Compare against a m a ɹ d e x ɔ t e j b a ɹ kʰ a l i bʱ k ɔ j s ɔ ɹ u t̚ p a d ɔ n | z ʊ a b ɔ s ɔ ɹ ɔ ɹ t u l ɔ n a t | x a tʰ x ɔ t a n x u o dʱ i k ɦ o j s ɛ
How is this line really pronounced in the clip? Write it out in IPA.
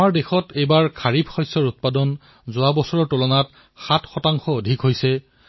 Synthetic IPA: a m a ɹ d e x ɔ t e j b a ɹ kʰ a ɹ i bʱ x ɔ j s ɔ ɹ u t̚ p a d ɔ n | z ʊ a b ɔ s ɔ ɹ ɔ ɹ t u l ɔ n a t | x a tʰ x ɔ t a ŋ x ɔ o dʱ i k ɦ o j s ɛ